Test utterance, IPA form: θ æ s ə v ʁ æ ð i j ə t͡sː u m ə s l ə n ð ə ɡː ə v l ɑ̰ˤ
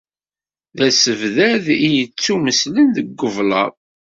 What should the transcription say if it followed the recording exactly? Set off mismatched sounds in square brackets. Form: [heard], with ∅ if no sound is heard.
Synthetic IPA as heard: [ð] æ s ə v [ð] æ ð i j ə t͡sː u m ə s l ə n ð ə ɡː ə v l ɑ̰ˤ